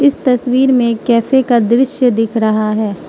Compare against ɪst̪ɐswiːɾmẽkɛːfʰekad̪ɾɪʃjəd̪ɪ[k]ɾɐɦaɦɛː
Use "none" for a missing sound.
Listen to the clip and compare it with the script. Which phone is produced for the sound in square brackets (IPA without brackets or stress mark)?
kʰ